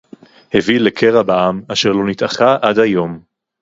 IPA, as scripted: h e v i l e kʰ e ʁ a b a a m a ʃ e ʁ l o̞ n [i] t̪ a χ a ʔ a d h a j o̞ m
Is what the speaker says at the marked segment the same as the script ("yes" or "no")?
yes